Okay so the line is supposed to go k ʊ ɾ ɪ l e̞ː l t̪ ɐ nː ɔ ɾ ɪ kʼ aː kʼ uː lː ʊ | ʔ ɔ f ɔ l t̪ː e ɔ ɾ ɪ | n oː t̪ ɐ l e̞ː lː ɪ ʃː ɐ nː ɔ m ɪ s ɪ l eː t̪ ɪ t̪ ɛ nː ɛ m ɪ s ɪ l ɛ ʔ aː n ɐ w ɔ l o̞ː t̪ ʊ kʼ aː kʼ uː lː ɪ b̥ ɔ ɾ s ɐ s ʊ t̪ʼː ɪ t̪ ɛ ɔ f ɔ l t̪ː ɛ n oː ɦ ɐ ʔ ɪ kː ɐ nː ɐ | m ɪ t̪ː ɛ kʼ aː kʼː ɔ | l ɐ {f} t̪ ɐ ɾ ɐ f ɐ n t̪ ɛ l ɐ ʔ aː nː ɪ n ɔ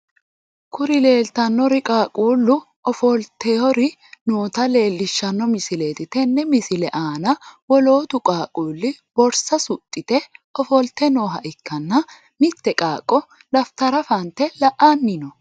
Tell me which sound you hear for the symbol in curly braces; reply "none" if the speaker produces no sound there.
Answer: f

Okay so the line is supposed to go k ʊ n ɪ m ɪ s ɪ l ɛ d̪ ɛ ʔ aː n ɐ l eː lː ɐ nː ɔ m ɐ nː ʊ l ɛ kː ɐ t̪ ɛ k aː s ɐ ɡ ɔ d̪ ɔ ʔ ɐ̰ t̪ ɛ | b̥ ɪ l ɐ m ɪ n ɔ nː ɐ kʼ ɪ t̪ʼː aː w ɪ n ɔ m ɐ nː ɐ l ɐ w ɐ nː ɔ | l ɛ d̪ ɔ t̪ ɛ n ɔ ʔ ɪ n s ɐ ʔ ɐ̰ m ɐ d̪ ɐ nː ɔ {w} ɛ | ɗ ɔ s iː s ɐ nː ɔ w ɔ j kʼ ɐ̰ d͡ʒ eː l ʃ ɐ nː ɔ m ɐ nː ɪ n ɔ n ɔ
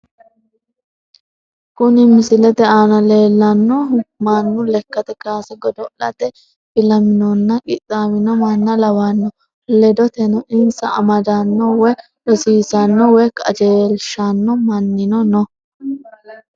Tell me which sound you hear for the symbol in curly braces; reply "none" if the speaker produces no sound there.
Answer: w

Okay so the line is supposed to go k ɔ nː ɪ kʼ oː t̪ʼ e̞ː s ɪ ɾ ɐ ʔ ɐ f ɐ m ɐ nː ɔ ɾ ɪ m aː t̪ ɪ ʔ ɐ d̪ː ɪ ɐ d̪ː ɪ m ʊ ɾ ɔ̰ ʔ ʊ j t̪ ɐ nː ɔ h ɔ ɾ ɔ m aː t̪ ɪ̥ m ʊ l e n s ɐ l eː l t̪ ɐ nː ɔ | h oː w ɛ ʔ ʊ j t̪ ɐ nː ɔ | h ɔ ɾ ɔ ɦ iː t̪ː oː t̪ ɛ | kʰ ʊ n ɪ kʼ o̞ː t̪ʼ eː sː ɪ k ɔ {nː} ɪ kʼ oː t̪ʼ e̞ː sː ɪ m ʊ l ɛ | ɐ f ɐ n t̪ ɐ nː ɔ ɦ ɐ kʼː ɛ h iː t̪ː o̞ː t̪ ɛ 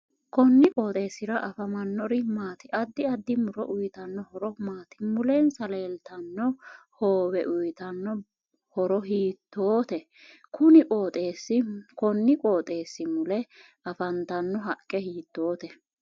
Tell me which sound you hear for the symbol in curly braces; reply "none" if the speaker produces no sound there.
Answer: nː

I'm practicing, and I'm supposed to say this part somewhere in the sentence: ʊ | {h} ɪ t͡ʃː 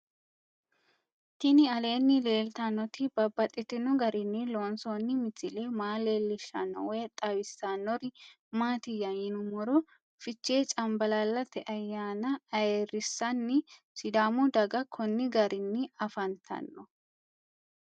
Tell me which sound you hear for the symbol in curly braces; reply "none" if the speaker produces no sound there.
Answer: f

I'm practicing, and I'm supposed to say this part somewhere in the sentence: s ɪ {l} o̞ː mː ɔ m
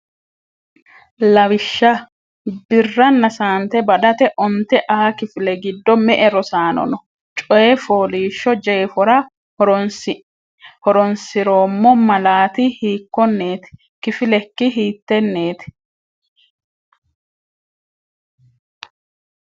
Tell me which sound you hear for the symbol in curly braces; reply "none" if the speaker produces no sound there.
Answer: ɾ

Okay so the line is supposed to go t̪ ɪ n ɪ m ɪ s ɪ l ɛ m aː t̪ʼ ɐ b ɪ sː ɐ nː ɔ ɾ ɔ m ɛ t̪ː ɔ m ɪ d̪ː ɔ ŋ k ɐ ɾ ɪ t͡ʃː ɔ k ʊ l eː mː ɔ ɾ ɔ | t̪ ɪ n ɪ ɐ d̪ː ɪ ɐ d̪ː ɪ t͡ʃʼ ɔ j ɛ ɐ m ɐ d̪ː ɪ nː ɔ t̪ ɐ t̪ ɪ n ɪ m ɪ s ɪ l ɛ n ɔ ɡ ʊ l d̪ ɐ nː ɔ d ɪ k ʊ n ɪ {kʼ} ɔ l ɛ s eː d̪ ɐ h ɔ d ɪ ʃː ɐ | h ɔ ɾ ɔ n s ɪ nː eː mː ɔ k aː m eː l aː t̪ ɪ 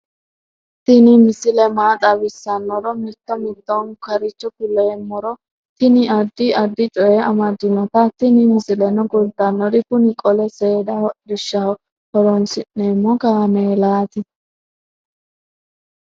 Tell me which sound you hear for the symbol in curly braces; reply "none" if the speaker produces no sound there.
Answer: kʼ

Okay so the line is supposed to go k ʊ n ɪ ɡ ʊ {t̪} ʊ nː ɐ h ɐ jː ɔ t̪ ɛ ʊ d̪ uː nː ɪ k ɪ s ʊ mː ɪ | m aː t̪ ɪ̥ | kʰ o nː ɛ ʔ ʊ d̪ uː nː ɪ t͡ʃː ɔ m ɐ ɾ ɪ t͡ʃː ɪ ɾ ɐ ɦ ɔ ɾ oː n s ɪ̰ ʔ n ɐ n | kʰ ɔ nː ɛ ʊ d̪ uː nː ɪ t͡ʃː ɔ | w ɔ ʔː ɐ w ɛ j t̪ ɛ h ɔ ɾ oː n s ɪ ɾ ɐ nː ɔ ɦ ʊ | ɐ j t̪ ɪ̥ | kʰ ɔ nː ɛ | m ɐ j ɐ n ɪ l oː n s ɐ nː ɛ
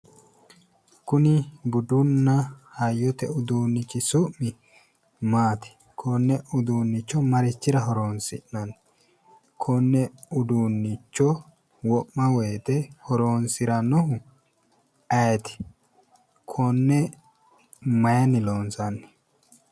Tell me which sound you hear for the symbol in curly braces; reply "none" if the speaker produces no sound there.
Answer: d̪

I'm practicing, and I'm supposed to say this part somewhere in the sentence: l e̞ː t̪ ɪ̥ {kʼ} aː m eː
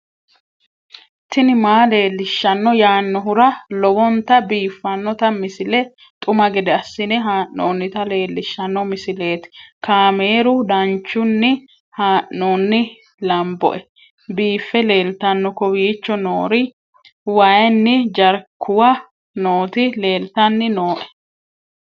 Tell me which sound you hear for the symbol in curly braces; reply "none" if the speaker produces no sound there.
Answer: k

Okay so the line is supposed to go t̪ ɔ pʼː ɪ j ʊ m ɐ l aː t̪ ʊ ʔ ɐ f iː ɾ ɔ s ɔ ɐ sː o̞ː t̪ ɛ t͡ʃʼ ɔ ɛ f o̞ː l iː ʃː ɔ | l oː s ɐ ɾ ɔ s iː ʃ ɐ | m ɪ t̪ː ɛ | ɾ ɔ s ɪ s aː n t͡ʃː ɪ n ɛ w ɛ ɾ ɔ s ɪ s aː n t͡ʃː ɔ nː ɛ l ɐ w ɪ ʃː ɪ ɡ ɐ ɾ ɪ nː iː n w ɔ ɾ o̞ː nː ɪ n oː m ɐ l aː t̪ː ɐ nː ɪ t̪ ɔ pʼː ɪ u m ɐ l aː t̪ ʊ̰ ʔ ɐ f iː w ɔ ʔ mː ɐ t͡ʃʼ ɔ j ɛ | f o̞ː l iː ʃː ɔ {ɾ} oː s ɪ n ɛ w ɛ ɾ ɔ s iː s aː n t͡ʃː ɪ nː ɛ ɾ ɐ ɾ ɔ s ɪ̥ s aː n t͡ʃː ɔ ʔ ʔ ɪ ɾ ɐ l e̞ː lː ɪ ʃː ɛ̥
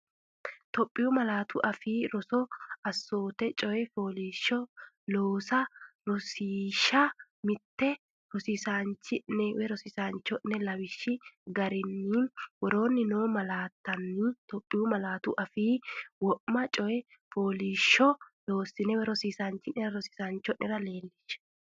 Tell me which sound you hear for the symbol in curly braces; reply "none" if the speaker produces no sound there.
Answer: l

